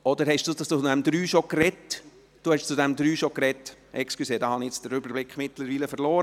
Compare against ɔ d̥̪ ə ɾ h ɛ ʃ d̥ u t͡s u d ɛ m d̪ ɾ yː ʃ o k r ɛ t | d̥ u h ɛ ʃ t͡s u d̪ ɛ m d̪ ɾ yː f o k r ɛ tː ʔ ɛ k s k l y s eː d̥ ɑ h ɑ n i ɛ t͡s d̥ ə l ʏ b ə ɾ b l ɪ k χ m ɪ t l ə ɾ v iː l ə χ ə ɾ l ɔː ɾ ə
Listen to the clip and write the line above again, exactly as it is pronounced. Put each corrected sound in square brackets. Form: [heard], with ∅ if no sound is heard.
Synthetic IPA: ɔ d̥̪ ə ɾ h ɛ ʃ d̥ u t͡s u d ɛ m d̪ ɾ yː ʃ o k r ɛ t | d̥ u h ɛ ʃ t͡s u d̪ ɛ m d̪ ɾ yː [ʃ] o k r ɛ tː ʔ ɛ k s k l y s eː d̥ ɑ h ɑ n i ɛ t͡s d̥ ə [ɾ] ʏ b ə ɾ b l ɪ k χ m ɪ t l ə ɾ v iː l ə [f] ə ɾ l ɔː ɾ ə